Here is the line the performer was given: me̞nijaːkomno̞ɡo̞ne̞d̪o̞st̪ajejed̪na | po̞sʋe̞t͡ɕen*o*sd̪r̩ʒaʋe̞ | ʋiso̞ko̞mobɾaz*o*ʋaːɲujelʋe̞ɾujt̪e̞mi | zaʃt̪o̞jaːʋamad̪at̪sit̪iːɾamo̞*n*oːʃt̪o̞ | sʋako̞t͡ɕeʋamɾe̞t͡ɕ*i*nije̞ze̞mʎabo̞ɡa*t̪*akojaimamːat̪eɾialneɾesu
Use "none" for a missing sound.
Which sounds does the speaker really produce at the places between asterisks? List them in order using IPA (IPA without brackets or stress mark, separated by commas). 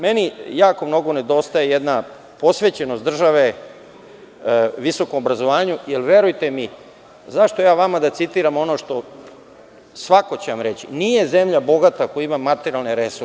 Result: o, o, n, i, t̪